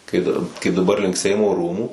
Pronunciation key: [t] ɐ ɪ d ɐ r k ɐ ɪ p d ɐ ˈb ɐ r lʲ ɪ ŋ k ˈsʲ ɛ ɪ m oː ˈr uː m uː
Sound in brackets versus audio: incorrect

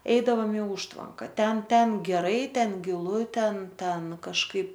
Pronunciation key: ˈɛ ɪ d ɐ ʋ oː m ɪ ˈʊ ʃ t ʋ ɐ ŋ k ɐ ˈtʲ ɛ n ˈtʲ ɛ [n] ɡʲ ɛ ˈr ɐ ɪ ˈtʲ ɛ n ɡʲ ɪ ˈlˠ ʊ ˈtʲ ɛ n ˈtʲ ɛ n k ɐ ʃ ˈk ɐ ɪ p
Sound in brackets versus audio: correct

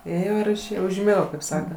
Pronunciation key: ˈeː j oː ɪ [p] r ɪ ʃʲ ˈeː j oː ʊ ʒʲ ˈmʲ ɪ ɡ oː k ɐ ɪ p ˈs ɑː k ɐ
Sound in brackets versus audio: incorrect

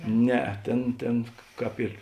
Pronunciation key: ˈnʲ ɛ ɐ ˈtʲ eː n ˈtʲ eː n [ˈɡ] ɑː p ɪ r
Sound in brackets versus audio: incorrect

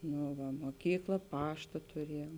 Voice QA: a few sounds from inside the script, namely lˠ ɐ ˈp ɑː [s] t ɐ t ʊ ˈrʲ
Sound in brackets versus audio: incorrect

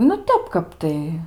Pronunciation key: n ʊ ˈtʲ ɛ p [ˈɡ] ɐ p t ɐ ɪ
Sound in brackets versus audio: incorrect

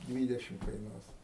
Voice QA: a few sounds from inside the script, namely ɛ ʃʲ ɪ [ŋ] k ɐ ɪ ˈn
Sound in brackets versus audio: incorrect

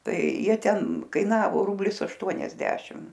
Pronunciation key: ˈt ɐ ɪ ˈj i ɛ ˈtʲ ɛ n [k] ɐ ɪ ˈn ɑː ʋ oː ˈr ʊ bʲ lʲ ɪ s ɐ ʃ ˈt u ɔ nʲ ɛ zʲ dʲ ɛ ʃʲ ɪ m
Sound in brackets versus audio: correct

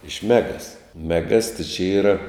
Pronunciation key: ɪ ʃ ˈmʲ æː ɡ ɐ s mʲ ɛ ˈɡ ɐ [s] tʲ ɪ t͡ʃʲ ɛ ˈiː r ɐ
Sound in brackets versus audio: correct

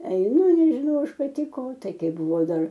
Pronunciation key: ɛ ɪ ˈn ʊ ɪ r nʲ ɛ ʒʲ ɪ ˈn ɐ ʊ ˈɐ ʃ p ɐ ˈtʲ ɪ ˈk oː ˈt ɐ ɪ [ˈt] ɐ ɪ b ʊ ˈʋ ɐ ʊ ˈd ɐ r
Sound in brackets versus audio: incorrect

